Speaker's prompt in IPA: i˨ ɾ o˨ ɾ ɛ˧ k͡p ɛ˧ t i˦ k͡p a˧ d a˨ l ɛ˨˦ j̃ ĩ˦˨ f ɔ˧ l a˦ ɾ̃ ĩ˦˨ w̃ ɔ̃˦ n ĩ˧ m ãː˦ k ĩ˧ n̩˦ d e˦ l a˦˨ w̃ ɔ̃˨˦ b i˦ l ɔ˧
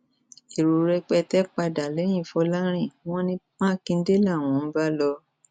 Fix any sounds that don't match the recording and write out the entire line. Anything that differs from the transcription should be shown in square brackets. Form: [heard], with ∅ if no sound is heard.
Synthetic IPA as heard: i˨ ɾ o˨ ɾ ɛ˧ k͡p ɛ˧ t [ɛ˦] k͡p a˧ d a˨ l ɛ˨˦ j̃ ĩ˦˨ f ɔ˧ l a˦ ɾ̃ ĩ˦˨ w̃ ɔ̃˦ n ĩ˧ m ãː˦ k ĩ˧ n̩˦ d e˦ l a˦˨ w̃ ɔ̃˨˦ b [a˦] l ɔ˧